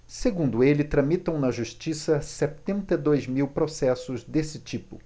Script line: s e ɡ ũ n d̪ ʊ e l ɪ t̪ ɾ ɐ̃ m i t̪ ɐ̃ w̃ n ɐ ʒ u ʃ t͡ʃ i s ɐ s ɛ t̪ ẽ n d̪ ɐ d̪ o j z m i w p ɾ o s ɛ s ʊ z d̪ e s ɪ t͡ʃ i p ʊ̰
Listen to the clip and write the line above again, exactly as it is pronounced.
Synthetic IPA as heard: s e ɡ ũ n d̪ ʊ e l ɪ t̪ ɾ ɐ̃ m i t̪ ɐ̃ w̃ n ɐ ʒ u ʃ t͡ʃ i s ɐ s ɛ t̪ ẽ n t̪ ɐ d̪ o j z m i w p ɾ o s ɛ s ʊ z d̪ e s ɪ t͡ʃ i p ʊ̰